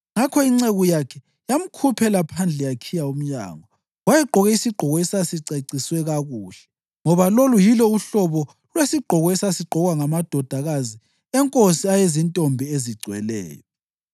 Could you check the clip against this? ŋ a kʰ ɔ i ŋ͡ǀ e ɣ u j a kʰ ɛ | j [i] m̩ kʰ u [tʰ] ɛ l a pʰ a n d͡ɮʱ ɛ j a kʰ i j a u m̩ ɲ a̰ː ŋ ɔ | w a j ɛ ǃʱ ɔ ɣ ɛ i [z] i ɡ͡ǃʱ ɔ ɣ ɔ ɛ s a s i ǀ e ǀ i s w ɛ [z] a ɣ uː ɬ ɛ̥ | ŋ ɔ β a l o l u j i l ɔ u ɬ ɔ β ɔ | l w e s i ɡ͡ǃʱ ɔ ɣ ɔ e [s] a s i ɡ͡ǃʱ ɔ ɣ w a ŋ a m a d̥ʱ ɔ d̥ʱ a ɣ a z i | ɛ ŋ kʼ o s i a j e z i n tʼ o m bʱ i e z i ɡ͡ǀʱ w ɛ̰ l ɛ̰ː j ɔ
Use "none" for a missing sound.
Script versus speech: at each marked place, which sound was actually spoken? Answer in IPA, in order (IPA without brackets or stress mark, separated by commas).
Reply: a, pʰ, s, ɣ, s